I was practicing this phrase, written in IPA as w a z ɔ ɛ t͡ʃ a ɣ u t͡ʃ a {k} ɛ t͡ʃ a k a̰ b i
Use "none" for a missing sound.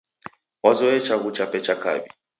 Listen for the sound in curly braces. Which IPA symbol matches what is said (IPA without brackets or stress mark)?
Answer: p